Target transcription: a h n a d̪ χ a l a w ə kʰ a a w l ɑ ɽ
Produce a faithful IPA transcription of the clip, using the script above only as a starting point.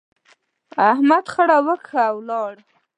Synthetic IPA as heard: a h m a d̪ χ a ɽ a w ə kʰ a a w l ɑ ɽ